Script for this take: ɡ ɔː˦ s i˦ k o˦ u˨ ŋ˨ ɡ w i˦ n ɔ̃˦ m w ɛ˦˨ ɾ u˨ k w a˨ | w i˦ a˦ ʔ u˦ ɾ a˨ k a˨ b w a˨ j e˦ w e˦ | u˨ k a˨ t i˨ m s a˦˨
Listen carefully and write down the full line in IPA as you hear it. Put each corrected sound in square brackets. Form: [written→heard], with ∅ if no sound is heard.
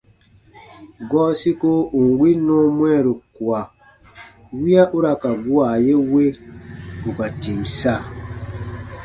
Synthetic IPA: ɡ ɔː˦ s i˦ k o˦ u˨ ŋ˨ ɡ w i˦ n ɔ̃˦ m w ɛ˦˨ ɾ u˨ k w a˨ | w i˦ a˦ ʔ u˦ ɾ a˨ k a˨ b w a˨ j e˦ w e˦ | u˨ k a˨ t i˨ m s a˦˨